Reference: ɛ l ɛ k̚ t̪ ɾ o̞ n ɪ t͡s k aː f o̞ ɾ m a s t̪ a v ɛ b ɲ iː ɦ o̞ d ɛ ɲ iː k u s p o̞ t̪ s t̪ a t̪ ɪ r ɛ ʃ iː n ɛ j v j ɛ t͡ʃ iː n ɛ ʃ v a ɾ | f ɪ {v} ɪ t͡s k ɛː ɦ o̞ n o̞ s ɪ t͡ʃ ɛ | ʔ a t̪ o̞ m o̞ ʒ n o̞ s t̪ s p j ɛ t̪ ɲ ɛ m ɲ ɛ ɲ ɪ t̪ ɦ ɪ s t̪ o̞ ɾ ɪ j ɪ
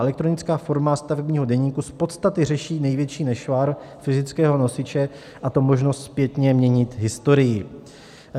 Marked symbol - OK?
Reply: no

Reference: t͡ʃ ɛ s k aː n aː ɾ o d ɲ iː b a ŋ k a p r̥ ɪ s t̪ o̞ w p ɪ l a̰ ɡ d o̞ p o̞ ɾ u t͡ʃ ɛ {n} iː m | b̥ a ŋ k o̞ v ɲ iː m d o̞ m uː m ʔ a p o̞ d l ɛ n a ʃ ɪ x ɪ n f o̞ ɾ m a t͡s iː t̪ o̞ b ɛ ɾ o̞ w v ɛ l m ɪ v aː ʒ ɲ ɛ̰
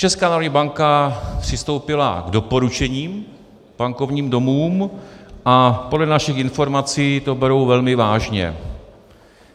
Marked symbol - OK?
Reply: no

